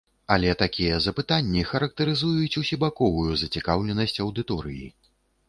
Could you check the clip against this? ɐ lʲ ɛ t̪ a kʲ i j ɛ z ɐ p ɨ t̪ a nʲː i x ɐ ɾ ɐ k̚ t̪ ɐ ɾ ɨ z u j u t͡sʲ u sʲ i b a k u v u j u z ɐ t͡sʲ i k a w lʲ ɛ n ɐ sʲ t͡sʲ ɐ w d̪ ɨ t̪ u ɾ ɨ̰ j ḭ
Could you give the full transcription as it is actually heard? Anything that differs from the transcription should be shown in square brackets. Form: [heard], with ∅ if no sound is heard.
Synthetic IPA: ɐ lʲ ɛ t̪ a kʲ i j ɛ z ɐ p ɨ t̪ a nʲː i x ɐ ɾ ɐ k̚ t̪ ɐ ɾ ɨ z u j u t͡sʲ u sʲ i b a k [ɔ] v u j u z ɐ t͡sʲ i k a w lʲ ɛ n ɐ sʲ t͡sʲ ɐ w d̪ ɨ t̪ [ɔ] ɾ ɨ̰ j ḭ